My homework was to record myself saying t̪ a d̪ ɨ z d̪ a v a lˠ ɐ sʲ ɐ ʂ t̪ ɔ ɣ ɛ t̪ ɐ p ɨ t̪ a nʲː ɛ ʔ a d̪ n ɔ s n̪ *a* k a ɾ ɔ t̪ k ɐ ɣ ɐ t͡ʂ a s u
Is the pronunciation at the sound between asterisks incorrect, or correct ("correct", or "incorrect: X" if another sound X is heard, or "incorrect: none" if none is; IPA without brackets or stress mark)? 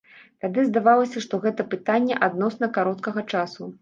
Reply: incorrect: ɐ